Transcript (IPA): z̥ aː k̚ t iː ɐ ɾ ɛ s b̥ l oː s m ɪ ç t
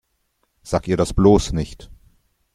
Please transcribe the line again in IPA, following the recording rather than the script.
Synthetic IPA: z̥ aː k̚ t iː ɐ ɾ a s b̥ l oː s n ɪ ç t

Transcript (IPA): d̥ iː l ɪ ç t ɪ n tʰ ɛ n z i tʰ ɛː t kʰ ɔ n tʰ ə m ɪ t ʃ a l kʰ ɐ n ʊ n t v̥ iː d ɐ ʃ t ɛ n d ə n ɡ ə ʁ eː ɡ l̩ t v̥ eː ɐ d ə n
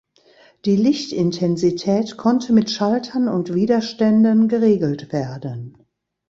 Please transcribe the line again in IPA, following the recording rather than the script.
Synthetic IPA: d̥ iː l ɪ ç t ɪ n tʰ ɛ n z i tʰ ɛː t kʰ ɔ n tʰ ə m ɪ t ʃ a l tʰ ɐ n ʊ n t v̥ iː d ɐ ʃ t ɛ n d ə n ɡ ə ʁ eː ɡ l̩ t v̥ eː ɐ d ə n

